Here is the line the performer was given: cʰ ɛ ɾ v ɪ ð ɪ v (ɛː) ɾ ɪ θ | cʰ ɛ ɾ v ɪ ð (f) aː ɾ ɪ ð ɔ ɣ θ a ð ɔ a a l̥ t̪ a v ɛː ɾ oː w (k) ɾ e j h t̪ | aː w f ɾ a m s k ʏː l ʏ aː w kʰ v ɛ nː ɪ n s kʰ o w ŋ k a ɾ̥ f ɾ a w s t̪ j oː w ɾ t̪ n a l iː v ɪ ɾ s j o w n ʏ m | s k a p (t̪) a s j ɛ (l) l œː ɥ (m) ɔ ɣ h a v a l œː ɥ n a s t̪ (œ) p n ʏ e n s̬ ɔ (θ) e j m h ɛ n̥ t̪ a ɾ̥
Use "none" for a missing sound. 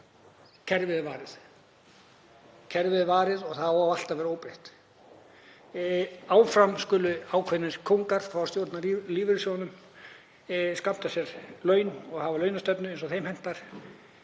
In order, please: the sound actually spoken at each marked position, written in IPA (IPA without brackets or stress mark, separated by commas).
aː, v, p, t̪, ɾ, n, œ, θ